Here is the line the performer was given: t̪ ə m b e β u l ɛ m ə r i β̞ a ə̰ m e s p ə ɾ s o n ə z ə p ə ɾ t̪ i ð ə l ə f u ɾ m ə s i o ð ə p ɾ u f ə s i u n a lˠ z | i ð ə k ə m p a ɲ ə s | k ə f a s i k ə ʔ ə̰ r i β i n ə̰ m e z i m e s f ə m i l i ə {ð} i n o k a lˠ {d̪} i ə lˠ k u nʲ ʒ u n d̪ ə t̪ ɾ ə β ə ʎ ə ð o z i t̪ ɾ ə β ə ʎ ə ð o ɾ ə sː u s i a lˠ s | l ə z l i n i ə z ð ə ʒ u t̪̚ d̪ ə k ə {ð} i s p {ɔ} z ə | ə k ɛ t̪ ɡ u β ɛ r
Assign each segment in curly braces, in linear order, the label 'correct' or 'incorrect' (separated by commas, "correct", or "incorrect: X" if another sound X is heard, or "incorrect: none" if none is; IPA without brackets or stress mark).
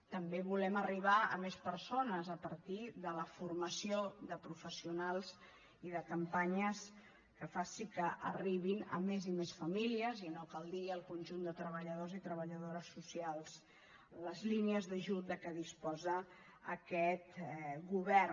incorrect: z, correct, correct, correct